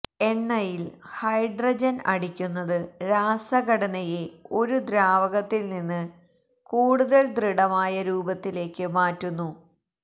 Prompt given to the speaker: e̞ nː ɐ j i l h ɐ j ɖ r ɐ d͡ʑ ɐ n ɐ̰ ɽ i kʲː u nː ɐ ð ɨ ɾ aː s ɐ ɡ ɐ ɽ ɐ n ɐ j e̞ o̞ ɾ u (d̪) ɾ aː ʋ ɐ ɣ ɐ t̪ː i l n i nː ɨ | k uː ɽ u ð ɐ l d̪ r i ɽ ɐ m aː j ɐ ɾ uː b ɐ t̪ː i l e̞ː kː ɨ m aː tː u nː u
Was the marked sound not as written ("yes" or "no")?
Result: no